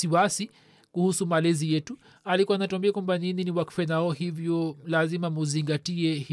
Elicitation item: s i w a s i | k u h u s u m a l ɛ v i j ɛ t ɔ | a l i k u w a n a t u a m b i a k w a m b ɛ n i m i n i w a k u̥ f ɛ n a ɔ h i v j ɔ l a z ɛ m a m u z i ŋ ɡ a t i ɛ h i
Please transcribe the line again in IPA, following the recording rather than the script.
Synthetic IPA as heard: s i w a s i | k u h u s u m a l ɛ z i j ɛ t u | a l i k u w a n a t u a m b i a k w a m b a n i n i n i w a k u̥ f ɛ n a ɔ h i v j ɔ l a z i m a m u z i ŋ ɡ a t i ɛ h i